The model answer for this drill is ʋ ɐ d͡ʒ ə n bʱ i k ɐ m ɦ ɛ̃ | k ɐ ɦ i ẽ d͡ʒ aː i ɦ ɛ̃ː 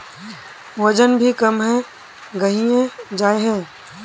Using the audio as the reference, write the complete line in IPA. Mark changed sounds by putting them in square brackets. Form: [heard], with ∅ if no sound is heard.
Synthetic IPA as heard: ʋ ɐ d͡ʒ ə n bʱ i k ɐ m ɦ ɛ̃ | [ɡ] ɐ ɦ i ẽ d͡ʒ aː [e] ɦ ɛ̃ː